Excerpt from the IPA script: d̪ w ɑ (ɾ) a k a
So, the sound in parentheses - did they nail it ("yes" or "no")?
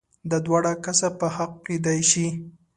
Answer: no